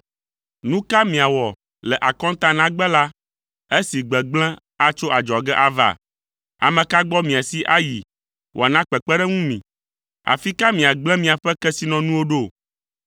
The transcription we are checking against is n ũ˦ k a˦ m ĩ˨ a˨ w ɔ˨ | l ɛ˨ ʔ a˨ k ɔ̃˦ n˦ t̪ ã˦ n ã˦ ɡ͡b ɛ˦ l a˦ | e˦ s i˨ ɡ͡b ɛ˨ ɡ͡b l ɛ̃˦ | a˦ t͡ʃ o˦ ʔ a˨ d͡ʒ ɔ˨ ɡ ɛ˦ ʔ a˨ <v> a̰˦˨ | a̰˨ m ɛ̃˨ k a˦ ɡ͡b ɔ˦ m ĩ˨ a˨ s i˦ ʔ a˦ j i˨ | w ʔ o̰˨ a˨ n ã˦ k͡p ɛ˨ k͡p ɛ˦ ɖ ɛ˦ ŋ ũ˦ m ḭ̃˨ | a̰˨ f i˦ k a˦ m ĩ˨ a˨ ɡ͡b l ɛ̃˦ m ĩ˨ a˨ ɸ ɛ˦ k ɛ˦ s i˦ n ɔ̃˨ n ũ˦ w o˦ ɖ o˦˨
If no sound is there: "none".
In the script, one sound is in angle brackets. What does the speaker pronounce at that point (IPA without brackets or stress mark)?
v